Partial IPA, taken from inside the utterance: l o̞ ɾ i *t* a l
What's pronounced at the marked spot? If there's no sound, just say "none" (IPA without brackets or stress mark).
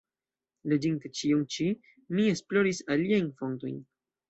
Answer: s